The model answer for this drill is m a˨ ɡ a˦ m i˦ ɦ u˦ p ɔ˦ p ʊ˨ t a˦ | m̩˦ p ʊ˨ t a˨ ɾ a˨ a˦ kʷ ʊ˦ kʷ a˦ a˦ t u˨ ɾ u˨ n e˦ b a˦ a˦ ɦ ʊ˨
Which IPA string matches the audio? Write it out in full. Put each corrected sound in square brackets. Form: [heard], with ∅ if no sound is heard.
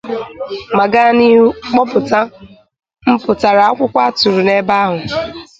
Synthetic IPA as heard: m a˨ ɡ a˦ [n] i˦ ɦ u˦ [k͡p] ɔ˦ p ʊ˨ t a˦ | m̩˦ p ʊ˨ t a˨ ɾ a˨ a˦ kʷ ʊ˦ kʷ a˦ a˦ t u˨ ɾ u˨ n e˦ b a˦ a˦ ɦ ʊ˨